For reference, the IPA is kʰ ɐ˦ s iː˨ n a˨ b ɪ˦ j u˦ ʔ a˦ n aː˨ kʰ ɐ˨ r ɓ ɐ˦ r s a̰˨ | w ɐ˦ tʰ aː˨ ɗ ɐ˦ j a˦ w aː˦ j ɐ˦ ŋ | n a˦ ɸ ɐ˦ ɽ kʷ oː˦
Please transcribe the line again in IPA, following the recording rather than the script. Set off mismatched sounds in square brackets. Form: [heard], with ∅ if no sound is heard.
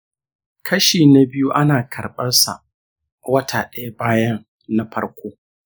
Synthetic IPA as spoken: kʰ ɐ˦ [ʃ] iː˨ n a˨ b ɪ˦ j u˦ ʔ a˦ n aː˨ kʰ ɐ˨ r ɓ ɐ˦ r s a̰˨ | w ɐ˦ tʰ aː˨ ɗ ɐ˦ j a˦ [b] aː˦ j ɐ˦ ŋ | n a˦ ɸ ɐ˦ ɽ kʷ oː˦

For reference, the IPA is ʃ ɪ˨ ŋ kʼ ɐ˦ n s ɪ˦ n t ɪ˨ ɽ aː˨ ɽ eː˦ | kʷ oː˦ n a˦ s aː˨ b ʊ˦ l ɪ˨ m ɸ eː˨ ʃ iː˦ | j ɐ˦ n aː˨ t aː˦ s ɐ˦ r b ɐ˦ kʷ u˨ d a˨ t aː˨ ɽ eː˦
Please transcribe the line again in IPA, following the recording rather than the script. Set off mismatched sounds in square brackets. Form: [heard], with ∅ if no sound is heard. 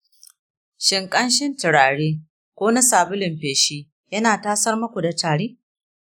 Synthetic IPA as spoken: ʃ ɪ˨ ŋ kʼ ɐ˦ n [ʃ] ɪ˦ n t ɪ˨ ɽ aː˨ ɽ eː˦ | kʷ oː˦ n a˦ s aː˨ b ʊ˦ l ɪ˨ m ɸ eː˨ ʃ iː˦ | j ɐ˦ n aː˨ t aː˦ s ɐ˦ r [m] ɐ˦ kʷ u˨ d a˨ t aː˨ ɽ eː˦

